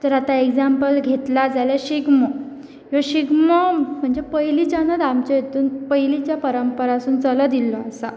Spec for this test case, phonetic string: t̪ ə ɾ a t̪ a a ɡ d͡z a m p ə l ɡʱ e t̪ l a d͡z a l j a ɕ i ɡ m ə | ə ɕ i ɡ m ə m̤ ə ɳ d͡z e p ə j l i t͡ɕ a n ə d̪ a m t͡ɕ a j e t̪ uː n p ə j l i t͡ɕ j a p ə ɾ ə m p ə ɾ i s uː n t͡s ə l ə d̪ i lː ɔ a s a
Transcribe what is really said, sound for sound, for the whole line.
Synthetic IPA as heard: t̪ ə ɾ a t̪ a e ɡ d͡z a m p ə l ɡʱ e t̪ l a d͡z a l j a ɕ i ɡ m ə | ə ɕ i ɡ m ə m̤ ə ɳ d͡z e p ə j l i t͡ɕ a n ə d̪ a m t͡ɕ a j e t̪ uː n p ə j l i t͡ɕ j a p ə ɾ ə m p ə ɾ a s uː n t͡s ə l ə d̪ i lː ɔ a s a

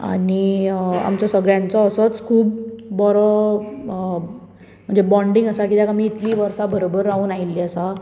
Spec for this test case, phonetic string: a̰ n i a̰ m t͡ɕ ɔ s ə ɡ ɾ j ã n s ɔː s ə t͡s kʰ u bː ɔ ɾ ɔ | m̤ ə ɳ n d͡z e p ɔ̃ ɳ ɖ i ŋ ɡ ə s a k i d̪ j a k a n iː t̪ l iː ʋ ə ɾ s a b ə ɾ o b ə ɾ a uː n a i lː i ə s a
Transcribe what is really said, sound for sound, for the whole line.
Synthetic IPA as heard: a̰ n i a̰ m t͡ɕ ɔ s ə ɡ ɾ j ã n t͡s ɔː s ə t͡s kʰ uː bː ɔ ɾ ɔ | m̤ ə ɳ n d͡z e b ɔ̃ ɳ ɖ i ŋ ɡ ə s a k i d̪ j a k a m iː t̪ l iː ʋ ə ɾ s a b ə ɾ o b ə ɾ a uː n a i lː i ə s a

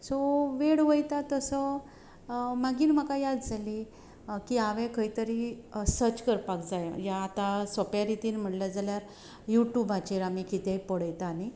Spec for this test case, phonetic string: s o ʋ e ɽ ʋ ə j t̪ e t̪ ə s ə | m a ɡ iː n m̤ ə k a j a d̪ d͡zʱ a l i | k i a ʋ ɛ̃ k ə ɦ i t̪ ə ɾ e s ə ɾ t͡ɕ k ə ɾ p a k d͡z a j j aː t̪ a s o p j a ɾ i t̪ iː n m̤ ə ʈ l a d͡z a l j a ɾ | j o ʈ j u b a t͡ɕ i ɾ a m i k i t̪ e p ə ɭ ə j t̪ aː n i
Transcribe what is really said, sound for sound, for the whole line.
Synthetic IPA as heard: s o ʋ e ɽ ʋ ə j t̪ a t̪ ə s ə | m a ɡ iː n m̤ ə k a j a d̪ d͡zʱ a l i | k i a ʋ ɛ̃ k ə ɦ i t̪ ə ɾ i s ə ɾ t͡ɕ k ə ɾ p a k d͡z a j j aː t̪ a s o p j a ɾ i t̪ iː n m̤ ə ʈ l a d͡z a l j a ɾ | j u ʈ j u b a t͡ɕ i ɾ a m i k i t̪ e p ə ɽ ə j t̪ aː n i

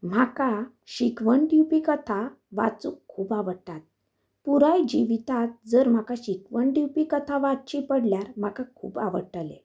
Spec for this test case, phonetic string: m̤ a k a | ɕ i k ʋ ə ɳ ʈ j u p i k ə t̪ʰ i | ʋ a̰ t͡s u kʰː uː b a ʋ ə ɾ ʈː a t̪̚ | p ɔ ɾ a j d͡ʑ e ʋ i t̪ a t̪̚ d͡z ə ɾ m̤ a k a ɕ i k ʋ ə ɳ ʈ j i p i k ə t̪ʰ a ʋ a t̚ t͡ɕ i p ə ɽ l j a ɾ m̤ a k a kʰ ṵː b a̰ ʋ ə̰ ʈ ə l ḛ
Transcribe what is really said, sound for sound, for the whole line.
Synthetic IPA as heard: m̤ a k a | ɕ i k ʋ ə ɳ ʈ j u p i k ə t̪ʰ a | ʋ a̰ t͡s u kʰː uː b a ʋ ə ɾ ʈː a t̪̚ | p u ɾ a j d͡ʑ i ʋ i t̪ a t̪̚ d͡z ə ɾ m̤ a k a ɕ i k ʋ ə ɳ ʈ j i p i k ə t̪ʰ a ʋ a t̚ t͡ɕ i p ə ɽ l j a ɾ m̤ a k a kʰ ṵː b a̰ ʋ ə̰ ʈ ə l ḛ

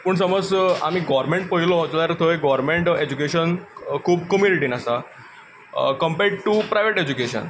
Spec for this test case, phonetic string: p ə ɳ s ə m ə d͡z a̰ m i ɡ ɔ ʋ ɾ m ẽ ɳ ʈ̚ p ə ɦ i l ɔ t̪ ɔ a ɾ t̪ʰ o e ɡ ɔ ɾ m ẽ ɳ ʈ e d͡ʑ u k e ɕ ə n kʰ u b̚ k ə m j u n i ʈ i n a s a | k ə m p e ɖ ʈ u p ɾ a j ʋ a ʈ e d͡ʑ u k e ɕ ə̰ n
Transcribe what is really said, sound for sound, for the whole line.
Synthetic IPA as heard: p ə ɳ s ə m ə d͡z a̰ m i ɡ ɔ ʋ ɾ m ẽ ɳ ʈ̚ p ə ɦ i l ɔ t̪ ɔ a ɾ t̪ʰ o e ɡ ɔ ɾ m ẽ ɳ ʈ e d͡ʑ u k e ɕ ə n kʰ uː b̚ k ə m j u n i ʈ i n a s a | k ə m p e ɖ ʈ u p ɾ a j ʋ e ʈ e d͡ʑ u k e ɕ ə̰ n

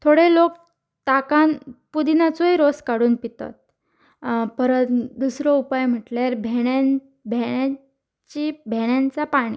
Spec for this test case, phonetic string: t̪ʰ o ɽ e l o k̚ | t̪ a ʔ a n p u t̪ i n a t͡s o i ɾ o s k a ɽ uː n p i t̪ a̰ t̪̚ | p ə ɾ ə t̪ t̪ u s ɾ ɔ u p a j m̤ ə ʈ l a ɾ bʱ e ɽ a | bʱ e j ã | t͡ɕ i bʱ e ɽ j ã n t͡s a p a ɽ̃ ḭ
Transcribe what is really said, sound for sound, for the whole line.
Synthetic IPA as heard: t̪ʰ o ɽ e l o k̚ | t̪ a k a n p u d̪ i n a t͡s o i ɾ o s k a ɽ uː n p i t̪ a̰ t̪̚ | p ə ɾ ə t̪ d̪ u s ɾ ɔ u p a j m̤ ə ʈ l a ɾ bʱ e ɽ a | bʱ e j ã | t͡ɕ i bʱ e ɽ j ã n t͡s a p a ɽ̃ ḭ

